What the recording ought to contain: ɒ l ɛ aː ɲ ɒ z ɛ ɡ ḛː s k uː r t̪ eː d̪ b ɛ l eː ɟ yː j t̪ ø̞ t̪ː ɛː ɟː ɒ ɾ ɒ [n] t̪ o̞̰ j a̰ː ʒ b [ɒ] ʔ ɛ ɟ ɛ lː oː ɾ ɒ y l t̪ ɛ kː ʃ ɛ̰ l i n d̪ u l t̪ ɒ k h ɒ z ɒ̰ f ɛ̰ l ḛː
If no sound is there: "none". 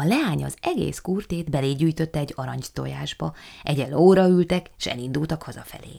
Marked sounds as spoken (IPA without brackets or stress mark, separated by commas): ɲ, ɒ